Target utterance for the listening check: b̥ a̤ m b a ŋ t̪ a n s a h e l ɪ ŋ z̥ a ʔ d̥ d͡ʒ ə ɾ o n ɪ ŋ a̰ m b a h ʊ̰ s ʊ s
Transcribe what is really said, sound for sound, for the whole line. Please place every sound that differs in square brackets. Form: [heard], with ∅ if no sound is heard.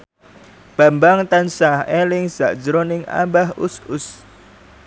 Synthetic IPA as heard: b̥ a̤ m b a ŋ t̪ a n s a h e l ɪ ŋ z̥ a ʔ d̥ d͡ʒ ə ɾ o n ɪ ŋ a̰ m b a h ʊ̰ s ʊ s